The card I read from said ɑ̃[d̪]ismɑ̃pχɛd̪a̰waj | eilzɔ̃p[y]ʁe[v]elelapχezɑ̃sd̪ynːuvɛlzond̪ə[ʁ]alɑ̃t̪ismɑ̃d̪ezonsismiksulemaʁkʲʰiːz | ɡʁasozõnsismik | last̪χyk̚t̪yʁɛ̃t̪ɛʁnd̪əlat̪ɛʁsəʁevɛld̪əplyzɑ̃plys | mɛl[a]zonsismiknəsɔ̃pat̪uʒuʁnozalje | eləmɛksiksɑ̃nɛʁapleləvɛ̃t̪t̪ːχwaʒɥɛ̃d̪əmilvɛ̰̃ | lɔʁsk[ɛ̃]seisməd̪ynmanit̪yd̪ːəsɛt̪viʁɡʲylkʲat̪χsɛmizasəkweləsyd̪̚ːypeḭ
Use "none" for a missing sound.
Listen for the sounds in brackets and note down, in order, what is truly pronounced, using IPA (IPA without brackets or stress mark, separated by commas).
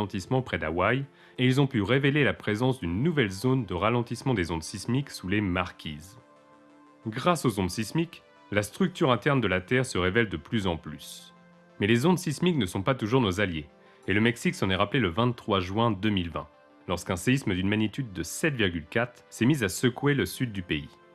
t̪, y, v, ʁ, e, ɛ̃